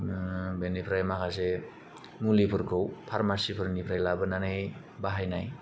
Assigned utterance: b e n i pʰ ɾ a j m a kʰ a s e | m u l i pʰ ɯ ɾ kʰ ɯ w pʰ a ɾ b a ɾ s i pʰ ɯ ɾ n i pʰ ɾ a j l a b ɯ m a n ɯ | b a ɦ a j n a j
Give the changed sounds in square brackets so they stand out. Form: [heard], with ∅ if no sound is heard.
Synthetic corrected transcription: b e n i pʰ ɾ a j m a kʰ a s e | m u l i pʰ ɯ ɾ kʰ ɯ w pʰ a ɾ [m] a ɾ s i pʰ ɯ ɾ n i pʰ ɾ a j l a b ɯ [n] a n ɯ | b a ɦ a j n a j